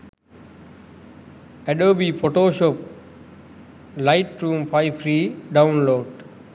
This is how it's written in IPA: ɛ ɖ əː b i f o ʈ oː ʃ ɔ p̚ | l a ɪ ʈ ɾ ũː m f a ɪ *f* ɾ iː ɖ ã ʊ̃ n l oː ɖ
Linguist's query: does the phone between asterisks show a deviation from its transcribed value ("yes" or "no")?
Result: no